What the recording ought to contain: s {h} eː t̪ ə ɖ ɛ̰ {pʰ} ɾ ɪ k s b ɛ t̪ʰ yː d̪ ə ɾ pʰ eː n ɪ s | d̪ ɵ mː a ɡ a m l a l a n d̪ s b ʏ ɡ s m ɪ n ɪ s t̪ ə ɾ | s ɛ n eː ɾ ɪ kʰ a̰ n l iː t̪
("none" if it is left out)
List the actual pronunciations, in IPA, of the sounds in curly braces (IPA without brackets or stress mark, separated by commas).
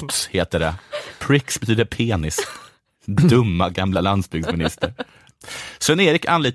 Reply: h, pʰ